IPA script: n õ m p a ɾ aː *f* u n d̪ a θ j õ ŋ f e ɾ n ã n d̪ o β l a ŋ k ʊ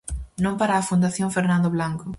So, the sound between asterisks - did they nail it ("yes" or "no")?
yes